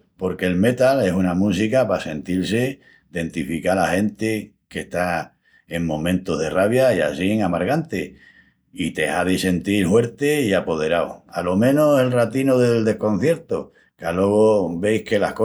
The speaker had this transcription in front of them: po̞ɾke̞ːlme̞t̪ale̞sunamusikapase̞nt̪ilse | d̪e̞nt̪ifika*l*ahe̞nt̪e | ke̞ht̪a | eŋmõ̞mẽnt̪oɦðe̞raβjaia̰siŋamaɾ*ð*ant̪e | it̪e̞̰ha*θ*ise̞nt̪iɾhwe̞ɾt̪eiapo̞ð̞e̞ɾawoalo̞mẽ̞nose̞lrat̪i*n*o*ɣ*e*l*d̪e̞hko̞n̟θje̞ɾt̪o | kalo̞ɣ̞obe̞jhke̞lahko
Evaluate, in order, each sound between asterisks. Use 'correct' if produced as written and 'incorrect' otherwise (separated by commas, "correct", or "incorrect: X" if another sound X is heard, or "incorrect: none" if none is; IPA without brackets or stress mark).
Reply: correct, incorrect: ɣ, incorrect: ð, correct, incorrect: ð, correct